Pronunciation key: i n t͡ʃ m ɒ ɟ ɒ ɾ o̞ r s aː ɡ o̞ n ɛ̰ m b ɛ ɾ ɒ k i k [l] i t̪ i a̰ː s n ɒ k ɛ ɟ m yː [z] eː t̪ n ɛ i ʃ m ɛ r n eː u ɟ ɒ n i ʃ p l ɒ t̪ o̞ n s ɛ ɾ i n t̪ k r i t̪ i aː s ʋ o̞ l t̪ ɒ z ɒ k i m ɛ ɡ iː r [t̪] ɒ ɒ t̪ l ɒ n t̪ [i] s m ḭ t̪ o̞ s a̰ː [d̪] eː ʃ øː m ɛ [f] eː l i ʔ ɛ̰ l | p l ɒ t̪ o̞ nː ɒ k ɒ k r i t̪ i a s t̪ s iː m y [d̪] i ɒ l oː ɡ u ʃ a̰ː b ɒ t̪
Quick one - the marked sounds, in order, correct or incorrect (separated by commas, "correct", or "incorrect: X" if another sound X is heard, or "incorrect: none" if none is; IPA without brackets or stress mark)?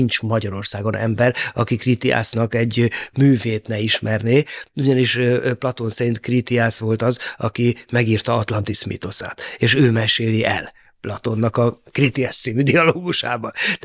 incorrect: r, incorrect: v, correct, correct, incorrect: t̪, incorrect: ʃ, correct